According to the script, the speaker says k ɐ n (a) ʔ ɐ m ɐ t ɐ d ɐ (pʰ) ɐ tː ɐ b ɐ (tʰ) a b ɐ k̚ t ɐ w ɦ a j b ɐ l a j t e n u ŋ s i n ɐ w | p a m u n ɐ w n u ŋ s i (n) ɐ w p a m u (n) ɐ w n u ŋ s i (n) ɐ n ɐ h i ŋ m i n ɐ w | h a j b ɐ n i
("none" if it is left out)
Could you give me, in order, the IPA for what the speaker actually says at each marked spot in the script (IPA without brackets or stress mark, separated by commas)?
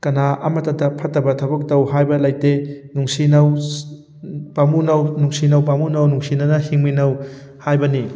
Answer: a, pʰ, tʰ, n, n, n